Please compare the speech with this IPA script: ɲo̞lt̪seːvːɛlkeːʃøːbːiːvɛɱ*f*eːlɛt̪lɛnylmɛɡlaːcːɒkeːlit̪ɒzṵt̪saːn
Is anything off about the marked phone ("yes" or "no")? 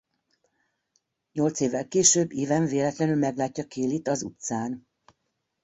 yes